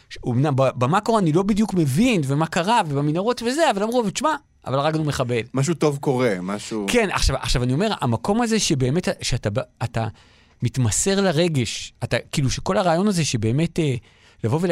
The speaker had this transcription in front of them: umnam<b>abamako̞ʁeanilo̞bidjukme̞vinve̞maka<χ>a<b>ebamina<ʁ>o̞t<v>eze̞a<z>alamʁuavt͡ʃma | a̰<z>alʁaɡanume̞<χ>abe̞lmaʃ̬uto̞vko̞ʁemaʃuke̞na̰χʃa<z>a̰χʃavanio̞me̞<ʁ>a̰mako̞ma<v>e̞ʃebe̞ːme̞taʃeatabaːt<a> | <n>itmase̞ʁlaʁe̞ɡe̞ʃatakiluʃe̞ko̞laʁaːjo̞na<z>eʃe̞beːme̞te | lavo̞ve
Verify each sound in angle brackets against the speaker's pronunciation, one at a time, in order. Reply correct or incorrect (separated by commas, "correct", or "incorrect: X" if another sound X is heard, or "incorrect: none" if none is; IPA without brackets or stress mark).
correct, incorrect: ʁ, incorrect: v, correct, correct, incorrect: v, incorrect: v, correct, incorrect: v, correct, incorrect: z, correct, incorrect: m, correct